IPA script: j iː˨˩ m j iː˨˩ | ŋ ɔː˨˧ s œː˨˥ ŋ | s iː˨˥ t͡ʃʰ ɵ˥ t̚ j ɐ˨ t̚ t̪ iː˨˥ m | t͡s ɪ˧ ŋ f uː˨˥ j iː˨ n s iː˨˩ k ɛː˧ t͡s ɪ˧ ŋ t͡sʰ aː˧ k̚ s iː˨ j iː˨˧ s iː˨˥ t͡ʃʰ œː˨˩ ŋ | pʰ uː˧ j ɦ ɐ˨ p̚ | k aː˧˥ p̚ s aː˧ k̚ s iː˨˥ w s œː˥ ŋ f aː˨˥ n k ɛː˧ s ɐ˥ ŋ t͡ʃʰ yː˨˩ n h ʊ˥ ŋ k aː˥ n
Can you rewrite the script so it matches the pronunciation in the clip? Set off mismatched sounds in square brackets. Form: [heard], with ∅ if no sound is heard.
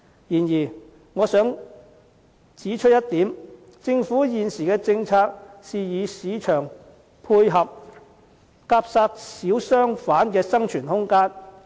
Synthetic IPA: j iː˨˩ [n] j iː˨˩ | ŋ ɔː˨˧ s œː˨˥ ŋ | [t͡s] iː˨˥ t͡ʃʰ ɵ˥ t̚ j [ɐ˥] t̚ t̪ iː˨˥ m | t͡s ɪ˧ ŋ f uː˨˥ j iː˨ n s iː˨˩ k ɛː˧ t͡s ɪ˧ ŋ t͡sʰ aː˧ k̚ s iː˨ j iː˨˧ s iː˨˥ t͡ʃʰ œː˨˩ ŋ | pʰ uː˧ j ɦ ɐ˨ p̚ | k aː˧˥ p̚ s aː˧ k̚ s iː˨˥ w s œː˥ ŋ f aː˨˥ n k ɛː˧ s ɐ˥ ŋ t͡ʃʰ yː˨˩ n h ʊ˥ ŋ k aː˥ n